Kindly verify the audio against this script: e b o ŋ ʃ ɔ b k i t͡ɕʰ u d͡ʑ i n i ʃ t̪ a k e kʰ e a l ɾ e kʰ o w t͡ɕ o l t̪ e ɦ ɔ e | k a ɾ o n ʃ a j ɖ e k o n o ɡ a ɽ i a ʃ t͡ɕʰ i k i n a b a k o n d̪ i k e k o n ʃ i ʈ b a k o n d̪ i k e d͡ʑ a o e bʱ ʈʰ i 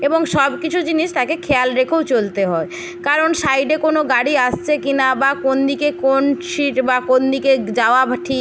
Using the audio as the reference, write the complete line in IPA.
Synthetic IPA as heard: e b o ŋ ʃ ɔ b k i t͡ɕʰ u d͡ʑ i n i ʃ t̪ a k e kʰ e a l ɾ e kʰ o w t͡ɕ o l t̪ e ɦ ɔ e | k a ɾ o n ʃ a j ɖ e k o n o ɡ a ɽ i a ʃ t͡ɕʰ e k i n a b a k o n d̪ i k e k o n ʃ i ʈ b a k o n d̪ i k e d͡ʑ a o a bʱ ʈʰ i